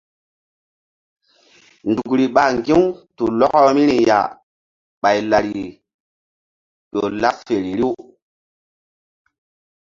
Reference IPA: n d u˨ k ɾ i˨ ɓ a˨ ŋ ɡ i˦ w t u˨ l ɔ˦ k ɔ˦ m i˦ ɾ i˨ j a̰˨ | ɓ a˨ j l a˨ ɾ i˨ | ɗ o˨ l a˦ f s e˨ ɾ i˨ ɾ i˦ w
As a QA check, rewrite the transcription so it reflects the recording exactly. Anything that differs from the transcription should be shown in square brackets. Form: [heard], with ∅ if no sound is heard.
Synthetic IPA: n d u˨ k ɾ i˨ ɓ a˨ ŋ ɡ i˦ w t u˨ l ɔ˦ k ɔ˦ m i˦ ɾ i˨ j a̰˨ | ɓ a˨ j l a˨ ɾ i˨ | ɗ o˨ l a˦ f [f] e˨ ɾ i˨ ɾ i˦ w